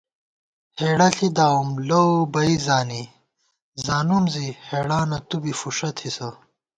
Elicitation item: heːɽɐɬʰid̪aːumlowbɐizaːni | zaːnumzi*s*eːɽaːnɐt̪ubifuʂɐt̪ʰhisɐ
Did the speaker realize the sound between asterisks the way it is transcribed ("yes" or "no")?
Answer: no